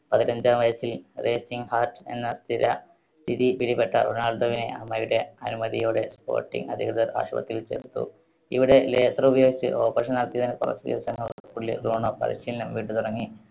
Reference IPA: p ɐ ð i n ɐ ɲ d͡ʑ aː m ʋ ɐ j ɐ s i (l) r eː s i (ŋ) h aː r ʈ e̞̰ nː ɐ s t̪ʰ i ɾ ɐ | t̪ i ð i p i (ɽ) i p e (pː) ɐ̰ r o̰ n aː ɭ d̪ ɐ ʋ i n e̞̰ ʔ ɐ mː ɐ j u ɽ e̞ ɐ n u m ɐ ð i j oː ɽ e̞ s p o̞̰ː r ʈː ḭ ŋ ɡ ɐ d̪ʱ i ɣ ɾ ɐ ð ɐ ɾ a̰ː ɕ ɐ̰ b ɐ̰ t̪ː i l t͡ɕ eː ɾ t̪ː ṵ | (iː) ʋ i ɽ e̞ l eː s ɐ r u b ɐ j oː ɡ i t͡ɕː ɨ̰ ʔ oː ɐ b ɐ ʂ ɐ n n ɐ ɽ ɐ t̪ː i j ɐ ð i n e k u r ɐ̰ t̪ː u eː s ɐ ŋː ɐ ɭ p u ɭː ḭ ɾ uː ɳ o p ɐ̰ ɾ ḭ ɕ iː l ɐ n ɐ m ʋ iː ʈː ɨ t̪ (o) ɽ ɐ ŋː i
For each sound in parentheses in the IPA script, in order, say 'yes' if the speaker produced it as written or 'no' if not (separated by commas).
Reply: yes, yes, yes, no, no, no